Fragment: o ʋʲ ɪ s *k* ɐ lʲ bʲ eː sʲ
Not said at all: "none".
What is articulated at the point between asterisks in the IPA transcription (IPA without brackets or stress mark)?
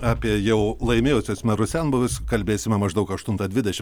k